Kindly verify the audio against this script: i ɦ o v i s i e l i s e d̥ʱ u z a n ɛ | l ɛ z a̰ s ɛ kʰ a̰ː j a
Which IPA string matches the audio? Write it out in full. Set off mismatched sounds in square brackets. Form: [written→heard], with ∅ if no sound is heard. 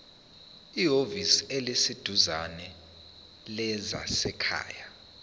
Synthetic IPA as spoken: i ɦ o v i s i e l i s [e→i] d̥ʱ u z a n ɛ | l ɛ z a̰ s ɛ kʰ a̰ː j a